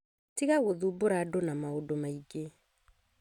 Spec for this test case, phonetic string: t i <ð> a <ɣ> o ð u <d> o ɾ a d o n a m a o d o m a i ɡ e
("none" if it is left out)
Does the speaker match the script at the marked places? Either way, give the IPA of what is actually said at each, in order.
ɣ, ɣ, b

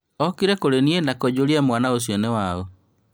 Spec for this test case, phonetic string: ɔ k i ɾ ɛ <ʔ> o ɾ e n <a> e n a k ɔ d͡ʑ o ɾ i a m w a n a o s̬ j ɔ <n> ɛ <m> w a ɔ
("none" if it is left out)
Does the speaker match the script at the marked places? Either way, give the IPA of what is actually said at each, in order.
k, i, n, none

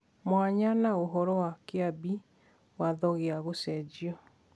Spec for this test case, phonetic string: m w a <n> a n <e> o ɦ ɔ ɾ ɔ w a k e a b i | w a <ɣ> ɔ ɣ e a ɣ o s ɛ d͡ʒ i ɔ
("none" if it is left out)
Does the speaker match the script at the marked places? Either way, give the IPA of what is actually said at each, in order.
ɲ, a, ð

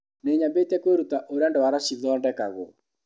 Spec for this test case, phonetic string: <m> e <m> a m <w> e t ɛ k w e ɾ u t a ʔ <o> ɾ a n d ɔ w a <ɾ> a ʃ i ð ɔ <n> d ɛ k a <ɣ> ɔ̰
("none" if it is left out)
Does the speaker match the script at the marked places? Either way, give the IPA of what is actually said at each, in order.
n, ɲ, b, o, ɾ, n, ɣ

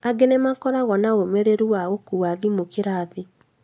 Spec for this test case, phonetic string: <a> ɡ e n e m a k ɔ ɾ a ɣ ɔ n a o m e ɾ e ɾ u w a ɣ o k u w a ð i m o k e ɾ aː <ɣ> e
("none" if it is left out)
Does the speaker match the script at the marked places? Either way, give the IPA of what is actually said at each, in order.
a, ð

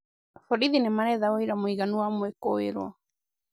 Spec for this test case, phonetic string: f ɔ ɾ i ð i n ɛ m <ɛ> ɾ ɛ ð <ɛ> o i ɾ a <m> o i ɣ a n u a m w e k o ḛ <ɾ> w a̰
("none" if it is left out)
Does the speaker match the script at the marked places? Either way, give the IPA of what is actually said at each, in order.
a, a, m, ɾ

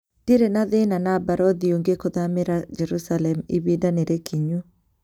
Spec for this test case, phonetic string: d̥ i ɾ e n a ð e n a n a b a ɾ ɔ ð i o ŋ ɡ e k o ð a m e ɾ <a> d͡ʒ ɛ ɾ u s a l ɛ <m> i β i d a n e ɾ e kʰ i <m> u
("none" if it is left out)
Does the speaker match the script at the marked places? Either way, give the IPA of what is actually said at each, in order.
a, m, ɲ

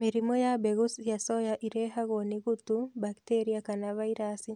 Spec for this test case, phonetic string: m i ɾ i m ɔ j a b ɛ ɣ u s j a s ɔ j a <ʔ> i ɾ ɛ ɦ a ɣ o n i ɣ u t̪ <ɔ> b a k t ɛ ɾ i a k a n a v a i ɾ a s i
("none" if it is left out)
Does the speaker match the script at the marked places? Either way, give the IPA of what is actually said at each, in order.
ʔ, u

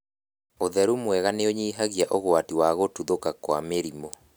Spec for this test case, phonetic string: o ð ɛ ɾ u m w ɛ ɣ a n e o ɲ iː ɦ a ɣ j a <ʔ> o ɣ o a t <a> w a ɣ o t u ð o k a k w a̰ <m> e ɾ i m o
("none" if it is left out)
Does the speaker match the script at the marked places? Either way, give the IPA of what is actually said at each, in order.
ʔ, i, m

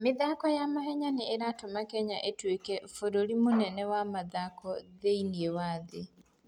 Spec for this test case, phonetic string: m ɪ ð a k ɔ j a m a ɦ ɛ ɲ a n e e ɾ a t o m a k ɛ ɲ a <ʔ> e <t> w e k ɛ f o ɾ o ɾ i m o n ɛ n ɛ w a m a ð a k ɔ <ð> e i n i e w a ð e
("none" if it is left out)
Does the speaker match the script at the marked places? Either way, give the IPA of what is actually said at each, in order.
ʔ, t, ð

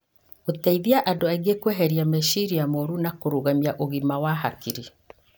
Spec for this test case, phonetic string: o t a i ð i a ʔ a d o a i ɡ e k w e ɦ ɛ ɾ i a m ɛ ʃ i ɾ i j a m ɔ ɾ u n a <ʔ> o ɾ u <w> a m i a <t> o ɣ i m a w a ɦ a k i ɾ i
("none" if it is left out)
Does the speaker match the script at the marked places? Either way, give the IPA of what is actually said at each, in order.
k, ɣ, ʔ

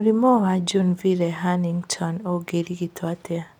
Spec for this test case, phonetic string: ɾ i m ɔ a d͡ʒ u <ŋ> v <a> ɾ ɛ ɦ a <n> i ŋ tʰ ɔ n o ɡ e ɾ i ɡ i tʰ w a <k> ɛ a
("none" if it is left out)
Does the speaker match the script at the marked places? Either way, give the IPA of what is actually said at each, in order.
n, i, n, t

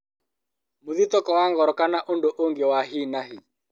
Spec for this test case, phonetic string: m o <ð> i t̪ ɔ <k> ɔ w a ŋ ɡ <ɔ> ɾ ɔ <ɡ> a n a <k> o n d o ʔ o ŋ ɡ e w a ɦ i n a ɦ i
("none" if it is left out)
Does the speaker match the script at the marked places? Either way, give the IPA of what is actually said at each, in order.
ð, k, ɔ, k, ʔ

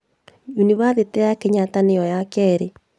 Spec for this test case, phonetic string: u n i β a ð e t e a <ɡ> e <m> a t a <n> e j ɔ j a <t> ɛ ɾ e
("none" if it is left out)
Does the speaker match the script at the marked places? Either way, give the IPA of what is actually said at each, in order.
k, ɲ, n, k

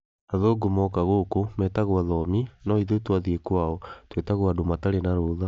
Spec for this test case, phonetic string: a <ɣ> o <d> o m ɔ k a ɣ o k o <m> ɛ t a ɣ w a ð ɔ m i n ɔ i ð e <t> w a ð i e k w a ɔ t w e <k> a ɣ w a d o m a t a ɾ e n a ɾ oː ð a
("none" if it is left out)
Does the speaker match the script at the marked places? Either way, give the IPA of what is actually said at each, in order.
ð, ɡ, m, t, t

